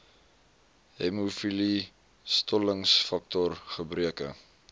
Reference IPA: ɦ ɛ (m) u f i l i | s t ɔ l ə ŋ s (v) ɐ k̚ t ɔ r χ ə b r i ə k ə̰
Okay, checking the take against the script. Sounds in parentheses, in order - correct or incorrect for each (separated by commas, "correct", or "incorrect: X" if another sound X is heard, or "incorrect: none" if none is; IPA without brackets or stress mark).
correct, incorrect: f